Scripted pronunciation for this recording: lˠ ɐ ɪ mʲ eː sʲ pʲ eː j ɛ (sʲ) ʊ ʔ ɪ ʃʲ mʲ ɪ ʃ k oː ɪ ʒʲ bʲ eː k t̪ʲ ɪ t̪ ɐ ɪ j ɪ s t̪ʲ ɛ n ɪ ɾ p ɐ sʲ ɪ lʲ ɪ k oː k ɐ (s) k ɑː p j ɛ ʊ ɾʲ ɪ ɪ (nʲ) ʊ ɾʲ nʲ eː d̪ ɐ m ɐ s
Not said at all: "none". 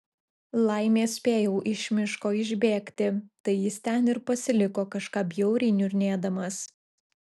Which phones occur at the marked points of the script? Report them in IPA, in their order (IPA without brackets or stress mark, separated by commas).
none, ʃ, nʲ